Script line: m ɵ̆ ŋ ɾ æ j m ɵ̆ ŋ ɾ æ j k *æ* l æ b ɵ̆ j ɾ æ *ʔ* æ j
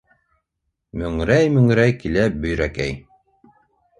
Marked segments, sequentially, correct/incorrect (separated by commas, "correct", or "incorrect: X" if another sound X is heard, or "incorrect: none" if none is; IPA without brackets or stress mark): incorrect: i, incorrect: k